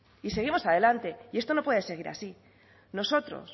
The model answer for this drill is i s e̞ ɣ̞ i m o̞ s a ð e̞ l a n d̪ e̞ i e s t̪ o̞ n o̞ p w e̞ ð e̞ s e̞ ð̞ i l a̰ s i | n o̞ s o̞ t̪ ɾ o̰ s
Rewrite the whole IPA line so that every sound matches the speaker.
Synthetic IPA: i s e̞ ɣ̞ i m o̞ s a ð e̞ l a n t̪ e̞ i e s t̪ o̞ n o̞ p w e̞ ð e̞ s e̞ ɣ̞ i ɾ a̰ s i | n o̞ s o̞ t̪ ɾ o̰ s